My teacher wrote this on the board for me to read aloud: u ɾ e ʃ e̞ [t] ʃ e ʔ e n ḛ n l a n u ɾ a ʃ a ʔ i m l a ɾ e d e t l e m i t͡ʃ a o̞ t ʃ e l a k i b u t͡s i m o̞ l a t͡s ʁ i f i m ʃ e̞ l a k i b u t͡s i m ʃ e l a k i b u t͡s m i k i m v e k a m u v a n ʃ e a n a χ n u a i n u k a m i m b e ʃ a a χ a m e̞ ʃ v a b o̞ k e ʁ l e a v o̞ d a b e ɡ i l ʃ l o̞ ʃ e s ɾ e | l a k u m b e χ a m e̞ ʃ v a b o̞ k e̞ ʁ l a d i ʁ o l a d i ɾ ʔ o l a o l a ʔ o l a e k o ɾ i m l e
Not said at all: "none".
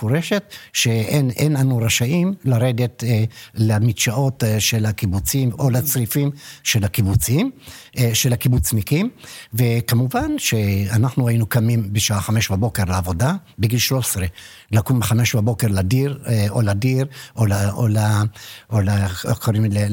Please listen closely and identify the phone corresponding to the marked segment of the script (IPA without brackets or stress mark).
t